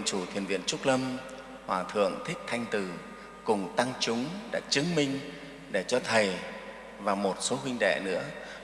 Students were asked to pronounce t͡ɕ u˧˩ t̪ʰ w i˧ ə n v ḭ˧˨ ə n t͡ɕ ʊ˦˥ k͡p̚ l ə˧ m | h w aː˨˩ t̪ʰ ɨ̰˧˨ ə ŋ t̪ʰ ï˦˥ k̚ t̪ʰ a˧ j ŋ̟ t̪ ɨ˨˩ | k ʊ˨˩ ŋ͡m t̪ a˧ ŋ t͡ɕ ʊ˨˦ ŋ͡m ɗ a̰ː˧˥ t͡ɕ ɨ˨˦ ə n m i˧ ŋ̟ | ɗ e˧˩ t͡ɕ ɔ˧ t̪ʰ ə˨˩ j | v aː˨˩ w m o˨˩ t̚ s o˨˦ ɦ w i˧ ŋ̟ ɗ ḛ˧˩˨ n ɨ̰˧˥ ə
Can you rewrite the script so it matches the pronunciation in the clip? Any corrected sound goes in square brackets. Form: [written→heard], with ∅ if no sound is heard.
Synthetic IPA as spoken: t͡ɕ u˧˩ t̪ʰ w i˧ ə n v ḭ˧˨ ə n t͡ɕ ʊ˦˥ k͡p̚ l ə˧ m | h w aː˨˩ t̪ʰ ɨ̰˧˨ ə ŋ t̪ʰ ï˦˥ k̚ t̪ʰ a˧ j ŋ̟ t̪ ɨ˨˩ | k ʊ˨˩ ŋ͡m t̪ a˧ ŋ t͡ɕ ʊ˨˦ ŋ͡m ɗ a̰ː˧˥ t͡ɕ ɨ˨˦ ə [n→ŋ] m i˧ ŋ̟ | ɗ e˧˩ t͡ɕ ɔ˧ t̪ʰ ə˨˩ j | v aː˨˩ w m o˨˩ t̚ s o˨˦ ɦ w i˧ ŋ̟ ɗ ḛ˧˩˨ n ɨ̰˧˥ ə